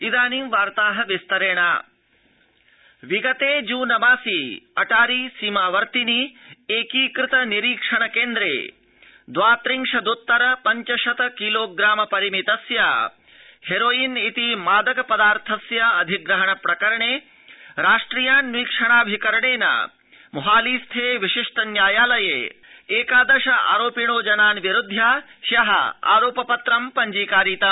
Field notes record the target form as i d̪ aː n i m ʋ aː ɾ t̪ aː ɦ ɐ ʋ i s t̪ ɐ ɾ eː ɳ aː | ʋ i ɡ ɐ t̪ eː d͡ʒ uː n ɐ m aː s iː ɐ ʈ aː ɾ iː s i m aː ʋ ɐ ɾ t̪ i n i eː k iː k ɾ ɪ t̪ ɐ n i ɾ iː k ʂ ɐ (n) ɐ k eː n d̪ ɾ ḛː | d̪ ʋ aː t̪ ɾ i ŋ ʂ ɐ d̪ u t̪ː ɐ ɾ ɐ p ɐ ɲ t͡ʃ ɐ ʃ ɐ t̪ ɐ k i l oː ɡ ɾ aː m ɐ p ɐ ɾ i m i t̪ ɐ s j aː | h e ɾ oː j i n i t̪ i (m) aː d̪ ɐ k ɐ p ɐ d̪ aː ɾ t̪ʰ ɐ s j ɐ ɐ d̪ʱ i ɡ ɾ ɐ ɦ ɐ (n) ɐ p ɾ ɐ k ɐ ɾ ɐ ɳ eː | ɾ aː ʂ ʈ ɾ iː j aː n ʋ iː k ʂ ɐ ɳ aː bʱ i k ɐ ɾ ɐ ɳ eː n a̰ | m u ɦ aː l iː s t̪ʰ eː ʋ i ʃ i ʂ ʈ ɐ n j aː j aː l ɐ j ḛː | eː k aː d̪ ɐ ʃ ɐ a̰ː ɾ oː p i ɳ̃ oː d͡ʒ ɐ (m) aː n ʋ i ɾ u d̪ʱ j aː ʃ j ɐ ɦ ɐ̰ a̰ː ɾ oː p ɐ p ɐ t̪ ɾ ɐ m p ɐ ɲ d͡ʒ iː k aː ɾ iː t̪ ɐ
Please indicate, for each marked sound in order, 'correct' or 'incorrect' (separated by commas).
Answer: incorrect, correct, incorrect, incorrect